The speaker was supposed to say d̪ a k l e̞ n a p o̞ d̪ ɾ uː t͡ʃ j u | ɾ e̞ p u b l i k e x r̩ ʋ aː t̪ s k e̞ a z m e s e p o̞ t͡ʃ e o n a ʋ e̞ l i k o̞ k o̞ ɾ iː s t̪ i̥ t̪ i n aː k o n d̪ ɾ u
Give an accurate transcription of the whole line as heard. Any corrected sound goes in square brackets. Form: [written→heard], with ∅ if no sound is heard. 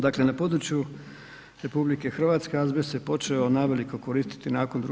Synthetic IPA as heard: d̪ a k l e̞ n a p o̞ d̪ ɾ [uː→u] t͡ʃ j u | ɾ e̞ p u b l i k e x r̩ ʋ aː t̪ s k e̞ a z [m→b] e s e p o̞ t͡ʃ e o n a ʋ e̞ l i k o̞ k o̞ ɾ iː s t̪ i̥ t̪ i n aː k o n d̪ ɾ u